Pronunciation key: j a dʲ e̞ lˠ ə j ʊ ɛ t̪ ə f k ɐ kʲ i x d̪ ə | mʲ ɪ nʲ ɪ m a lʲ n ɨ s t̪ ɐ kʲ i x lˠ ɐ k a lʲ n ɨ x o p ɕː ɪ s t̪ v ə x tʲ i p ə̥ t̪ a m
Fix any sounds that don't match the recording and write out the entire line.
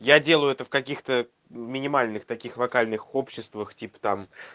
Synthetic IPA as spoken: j a dʲ e̞ lˠ ə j ʊ ɛ t̪ ə f k ɐ kʲ i x t̪ ə | mʲ ɪ nʲ ɪ m a lʲ n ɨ x t̪ ɐ kʲ i x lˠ ɐ k a lʲ n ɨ x o p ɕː ɪ s t̪ v ə x tʲ i p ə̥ t̪ a m